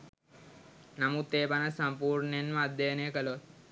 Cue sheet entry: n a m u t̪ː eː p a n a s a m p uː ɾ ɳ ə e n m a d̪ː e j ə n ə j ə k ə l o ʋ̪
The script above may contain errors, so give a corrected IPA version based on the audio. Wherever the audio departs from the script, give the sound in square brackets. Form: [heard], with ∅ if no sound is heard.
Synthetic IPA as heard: n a m u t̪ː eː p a n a s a m p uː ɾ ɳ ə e n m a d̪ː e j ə n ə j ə k ə l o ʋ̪